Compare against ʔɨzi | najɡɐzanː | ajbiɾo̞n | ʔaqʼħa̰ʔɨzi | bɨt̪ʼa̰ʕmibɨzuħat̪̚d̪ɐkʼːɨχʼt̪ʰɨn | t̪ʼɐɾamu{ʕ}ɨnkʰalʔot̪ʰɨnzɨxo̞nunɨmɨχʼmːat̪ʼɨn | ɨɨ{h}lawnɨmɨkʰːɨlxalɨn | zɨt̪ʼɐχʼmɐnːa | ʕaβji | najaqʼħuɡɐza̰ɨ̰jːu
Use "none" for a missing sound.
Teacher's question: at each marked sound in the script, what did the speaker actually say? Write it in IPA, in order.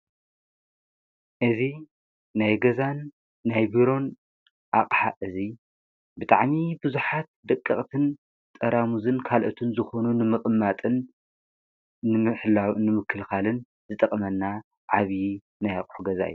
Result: z, ħ

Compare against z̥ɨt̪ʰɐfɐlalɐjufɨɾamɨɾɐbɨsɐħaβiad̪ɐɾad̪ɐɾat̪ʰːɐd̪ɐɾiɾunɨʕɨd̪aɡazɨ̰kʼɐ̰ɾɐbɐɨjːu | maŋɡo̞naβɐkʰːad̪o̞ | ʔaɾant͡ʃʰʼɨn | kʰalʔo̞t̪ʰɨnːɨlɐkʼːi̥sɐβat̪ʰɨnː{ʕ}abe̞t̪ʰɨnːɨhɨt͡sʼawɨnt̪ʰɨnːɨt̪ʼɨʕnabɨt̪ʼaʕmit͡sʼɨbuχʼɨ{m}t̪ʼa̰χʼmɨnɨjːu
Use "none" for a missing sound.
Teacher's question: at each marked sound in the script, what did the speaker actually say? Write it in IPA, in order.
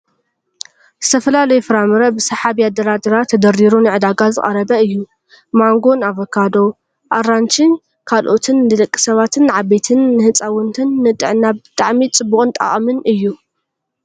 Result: ʕ, n

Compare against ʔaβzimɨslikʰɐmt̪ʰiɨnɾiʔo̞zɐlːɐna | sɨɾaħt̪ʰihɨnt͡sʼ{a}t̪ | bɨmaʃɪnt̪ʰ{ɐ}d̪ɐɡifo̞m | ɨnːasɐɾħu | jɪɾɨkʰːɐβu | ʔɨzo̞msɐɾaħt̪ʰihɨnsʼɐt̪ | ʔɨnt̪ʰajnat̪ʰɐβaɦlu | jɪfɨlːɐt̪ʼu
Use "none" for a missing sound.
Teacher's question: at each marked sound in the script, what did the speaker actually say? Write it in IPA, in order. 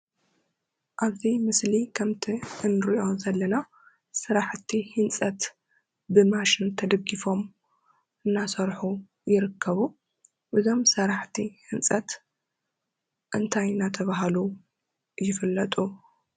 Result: ɐ, ɐ

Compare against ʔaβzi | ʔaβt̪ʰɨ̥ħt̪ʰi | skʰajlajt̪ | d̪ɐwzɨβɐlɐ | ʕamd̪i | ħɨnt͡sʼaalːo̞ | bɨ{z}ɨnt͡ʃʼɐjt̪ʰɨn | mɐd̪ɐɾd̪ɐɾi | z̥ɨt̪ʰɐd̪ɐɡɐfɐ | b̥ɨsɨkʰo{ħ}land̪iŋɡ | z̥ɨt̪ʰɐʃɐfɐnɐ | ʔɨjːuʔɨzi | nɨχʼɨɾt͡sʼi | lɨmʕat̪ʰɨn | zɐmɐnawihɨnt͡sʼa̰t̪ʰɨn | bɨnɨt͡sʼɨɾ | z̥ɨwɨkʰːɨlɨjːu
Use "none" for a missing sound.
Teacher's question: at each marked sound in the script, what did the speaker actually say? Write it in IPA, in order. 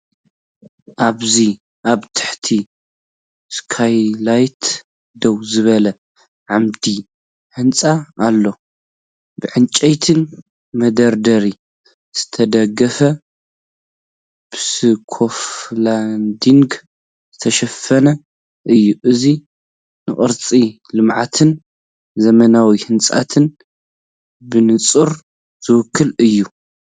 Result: ʕ, f

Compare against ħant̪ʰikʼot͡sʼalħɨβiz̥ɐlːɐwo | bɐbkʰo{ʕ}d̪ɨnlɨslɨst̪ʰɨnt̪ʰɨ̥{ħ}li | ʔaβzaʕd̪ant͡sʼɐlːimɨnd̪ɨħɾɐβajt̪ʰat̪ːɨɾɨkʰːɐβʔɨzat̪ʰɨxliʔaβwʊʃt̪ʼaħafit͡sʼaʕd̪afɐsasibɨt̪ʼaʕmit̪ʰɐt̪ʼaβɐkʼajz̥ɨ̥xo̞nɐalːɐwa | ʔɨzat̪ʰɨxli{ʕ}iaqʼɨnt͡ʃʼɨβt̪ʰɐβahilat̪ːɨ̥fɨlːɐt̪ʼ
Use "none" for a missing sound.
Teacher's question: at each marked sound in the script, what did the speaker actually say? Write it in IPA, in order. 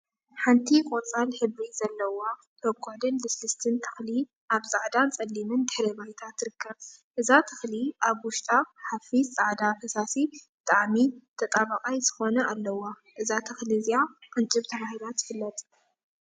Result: ʕ, x, z

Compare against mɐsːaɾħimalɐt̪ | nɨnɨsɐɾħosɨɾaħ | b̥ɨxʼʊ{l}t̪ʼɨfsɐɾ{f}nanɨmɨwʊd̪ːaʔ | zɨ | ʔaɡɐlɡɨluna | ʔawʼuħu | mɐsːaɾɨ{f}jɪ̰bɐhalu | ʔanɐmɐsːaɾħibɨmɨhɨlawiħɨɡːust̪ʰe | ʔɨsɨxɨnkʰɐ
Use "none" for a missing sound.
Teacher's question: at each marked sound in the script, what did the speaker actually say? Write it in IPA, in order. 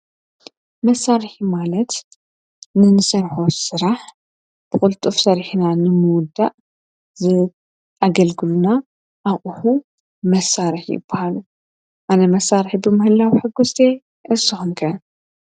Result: l, ħ, ħ

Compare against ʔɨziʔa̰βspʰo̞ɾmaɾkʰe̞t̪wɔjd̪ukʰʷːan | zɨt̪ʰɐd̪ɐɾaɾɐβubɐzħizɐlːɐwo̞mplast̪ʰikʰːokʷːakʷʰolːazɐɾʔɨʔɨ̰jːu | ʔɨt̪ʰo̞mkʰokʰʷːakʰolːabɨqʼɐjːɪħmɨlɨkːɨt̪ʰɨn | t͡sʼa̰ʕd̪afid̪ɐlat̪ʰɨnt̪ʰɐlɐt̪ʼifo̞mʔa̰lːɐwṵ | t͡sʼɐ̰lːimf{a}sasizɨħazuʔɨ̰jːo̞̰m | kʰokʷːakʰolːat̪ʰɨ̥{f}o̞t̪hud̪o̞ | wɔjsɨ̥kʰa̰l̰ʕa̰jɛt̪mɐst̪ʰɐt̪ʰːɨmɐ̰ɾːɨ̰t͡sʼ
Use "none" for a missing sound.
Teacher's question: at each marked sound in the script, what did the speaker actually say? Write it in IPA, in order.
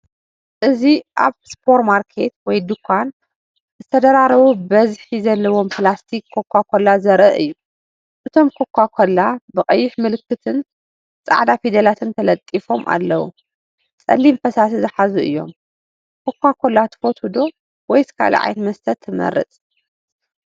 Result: ɐ, f

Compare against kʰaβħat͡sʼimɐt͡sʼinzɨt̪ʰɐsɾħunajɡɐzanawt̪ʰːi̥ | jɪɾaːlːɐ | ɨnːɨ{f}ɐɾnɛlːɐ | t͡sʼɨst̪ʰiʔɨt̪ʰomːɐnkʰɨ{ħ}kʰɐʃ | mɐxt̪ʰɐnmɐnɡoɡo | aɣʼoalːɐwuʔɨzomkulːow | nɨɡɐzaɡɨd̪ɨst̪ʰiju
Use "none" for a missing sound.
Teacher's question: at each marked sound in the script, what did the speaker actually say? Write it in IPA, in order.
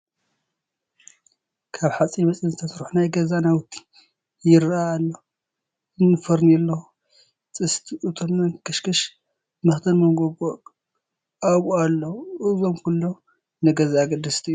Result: f, ʃ

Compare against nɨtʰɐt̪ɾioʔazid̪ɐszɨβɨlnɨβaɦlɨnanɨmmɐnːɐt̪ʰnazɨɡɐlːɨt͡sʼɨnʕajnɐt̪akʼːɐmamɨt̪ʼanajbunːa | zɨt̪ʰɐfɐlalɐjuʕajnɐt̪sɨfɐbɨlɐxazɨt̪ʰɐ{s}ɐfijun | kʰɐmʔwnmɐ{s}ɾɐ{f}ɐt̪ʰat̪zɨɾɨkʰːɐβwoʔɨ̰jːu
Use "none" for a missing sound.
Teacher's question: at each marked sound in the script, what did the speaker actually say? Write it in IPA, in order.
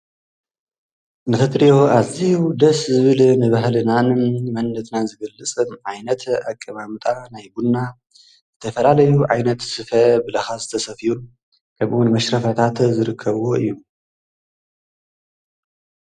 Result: s, ʃ, f

